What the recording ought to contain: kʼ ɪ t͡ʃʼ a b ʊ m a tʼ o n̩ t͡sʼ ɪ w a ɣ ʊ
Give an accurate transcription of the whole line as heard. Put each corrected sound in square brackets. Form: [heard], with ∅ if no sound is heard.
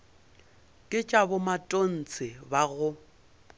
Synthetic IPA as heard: kʼ ɪ t͡ʃʼ a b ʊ m a tʼ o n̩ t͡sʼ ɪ [b] a ɣ ʊ